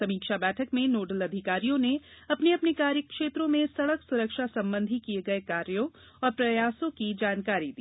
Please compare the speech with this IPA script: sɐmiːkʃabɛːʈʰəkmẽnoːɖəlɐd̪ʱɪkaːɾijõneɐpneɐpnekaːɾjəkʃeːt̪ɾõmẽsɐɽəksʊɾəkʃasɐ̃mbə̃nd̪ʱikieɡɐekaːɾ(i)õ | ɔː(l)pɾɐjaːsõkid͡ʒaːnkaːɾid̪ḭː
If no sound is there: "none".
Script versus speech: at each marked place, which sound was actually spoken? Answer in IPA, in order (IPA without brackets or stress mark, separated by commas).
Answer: j, ɾ